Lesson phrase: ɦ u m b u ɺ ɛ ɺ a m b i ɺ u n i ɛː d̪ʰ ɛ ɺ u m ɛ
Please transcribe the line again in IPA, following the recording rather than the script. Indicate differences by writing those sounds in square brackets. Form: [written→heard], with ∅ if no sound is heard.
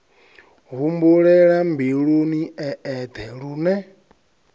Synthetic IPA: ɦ u m b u ɺ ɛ ɺ a m b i ɺ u n i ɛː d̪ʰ ɛ ɺ u [m→n] ɛ